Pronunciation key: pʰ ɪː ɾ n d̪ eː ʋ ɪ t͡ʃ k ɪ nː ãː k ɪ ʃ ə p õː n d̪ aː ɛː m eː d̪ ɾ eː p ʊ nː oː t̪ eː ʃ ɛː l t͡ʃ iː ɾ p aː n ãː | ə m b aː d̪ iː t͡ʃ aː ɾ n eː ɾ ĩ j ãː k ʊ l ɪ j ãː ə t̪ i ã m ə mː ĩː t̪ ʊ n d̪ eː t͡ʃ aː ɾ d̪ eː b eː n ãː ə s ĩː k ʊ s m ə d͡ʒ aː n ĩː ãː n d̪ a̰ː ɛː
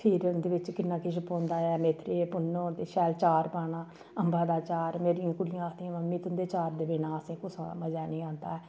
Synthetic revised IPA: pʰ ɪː ɾ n d̪ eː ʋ ɪ t͡ʃ k ɪ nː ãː k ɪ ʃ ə p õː n d̪ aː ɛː m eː t̪ ɾ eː p ʊ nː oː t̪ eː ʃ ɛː l t͡ʃ aː ɾ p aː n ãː | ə m b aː d̪ aː t͡ʃ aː ɾ m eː ɾ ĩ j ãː k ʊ l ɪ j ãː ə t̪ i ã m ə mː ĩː t̪ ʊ n d̪ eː t͡ʃ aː ɾ d̪ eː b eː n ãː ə s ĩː k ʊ s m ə d͡ʒ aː n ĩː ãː n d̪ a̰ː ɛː